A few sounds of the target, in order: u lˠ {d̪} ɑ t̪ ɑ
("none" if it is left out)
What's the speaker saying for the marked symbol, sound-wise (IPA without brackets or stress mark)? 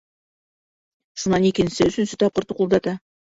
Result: d̪